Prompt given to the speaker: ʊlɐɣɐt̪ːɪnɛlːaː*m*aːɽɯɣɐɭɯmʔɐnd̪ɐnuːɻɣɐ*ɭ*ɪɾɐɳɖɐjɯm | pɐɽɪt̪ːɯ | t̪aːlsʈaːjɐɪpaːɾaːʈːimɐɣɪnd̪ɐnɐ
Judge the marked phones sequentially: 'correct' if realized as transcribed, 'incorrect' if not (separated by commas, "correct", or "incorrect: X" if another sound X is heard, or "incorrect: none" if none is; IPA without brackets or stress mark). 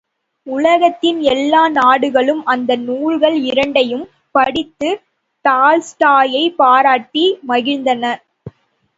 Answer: incorrect: n, correct